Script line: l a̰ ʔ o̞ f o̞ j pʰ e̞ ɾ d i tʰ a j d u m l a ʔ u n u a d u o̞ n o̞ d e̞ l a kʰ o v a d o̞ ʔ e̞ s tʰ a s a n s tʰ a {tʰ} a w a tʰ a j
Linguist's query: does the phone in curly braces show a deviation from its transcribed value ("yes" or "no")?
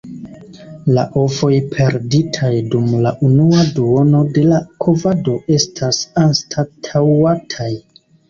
no